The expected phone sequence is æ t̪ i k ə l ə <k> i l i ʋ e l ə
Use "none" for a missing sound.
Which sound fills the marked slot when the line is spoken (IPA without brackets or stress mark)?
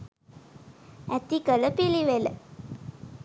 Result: p